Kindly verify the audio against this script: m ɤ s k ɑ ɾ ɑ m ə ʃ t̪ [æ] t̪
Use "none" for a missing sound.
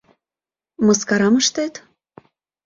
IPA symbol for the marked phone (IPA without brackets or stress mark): e